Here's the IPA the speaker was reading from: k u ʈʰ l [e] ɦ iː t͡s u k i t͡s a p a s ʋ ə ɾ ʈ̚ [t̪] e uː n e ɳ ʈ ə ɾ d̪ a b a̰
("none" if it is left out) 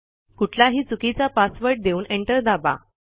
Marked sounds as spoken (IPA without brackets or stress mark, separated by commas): a, d̪